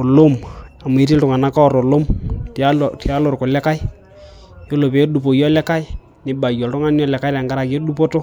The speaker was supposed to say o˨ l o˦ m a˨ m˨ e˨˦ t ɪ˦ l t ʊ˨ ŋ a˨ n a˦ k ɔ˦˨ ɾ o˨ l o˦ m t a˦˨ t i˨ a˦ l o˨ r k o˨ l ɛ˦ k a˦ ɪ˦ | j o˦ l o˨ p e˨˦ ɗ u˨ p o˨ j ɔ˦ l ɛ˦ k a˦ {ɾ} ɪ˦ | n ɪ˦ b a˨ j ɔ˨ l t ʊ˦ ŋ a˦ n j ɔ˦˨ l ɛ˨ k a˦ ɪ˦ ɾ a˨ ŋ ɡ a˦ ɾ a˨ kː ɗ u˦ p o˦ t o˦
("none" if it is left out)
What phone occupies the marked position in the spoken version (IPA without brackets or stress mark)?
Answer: none